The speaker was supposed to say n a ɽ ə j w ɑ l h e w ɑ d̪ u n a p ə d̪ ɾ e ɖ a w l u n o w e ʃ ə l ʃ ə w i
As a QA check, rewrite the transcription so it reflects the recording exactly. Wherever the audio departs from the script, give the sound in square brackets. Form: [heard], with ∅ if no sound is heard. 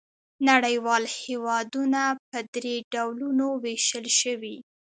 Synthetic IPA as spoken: n a ɽ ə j w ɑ l h e w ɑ d̪ u n a p ə d̪ ɾ e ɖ a w l u n o w e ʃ ə l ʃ ə w i